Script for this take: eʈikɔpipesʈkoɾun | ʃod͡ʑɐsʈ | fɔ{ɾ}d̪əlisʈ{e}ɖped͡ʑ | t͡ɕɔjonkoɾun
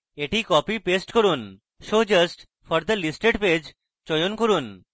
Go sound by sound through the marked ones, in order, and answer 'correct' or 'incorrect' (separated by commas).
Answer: correct, correct